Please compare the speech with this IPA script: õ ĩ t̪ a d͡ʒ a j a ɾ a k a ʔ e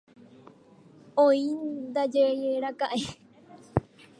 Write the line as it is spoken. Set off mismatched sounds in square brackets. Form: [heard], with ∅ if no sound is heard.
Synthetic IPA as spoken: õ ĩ [d̪] a d͡ʒ [e] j [e] ɾ a k a ʔ e